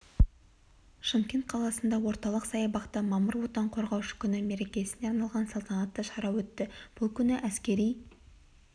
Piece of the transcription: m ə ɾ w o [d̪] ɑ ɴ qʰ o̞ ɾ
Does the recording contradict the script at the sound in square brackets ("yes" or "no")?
yes